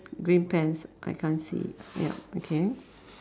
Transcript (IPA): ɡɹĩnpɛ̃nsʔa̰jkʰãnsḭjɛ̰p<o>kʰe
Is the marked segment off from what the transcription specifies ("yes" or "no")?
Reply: no